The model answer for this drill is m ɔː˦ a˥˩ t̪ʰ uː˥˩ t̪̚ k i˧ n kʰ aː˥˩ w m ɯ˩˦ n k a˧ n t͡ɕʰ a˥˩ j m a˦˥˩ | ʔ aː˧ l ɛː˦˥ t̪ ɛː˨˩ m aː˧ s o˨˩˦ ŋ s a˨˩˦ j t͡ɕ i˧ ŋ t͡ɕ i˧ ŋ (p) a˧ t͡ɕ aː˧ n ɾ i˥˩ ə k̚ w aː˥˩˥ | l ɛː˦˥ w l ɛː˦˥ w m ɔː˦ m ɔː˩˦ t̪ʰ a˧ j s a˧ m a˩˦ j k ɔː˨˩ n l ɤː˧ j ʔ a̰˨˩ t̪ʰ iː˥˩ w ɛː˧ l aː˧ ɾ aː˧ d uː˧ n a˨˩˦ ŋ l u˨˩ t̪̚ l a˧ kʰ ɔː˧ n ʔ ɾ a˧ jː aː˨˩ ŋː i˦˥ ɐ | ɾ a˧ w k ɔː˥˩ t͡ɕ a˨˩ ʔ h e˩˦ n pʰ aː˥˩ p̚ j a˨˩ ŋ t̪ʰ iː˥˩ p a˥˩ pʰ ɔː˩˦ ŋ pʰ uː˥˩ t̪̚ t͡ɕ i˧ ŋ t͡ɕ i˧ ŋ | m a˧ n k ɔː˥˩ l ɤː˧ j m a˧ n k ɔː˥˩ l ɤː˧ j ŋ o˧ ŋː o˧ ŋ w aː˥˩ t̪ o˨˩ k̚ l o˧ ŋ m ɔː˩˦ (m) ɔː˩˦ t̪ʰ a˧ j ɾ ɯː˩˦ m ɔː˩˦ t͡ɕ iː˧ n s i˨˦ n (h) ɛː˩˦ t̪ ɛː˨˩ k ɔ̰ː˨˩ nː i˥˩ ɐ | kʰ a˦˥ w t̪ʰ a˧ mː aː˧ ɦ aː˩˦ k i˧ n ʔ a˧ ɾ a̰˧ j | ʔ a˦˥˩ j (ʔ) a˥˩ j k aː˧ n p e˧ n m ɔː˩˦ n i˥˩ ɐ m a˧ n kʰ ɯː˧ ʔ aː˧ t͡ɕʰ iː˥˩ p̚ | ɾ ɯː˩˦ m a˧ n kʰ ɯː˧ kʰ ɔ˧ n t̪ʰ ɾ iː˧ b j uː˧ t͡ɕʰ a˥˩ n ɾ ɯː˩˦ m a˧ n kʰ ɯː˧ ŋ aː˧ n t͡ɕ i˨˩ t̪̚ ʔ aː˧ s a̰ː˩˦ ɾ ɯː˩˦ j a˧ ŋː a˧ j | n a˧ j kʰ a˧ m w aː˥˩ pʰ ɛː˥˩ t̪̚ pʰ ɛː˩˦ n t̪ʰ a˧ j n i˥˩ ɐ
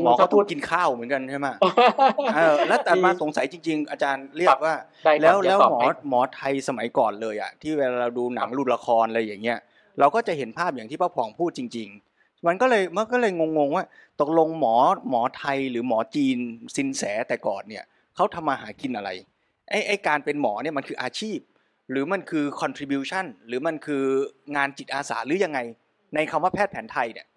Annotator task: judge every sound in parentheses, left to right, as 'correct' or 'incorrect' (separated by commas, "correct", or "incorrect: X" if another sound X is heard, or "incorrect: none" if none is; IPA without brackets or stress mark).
incorrect: ʔ, correct, incorrect: s, correct